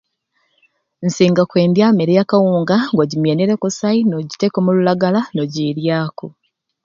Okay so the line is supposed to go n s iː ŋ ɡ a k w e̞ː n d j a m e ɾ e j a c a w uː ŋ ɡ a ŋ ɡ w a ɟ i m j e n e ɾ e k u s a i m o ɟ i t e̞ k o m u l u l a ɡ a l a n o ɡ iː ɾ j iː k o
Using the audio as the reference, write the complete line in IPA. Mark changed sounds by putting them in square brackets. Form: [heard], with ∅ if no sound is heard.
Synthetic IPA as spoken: n s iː ŋ ɡ a k w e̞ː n d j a m e ɾ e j a [k] a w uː ŋ ɡ a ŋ ɡ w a ɟ i m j e n e ɾ e k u s a i [n] o ɟ i t e̞ k o m u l u l a ɡ a l a n o [ɟ] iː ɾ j [aː] k o